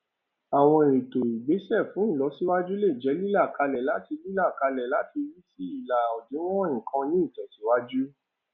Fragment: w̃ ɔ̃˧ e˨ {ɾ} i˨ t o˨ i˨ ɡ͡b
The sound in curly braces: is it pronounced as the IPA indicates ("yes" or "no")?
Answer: yes